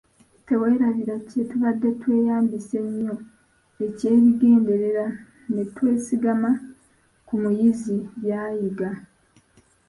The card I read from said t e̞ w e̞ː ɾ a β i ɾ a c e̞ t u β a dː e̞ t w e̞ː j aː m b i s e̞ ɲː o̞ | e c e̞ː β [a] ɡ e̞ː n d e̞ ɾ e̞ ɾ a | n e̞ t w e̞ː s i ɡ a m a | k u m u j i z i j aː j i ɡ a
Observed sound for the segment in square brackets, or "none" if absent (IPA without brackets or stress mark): i